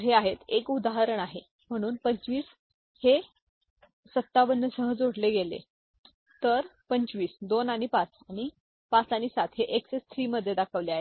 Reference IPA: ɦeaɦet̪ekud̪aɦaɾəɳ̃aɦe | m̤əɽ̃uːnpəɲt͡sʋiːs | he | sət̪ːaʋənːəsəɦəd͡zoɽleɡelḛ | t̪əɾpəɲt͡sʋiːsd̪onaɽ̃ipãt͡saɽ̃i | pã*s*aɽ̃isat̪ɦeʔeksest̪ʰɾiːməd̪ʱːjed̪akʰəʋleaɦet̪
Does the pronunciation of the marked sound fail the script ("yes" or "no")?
yes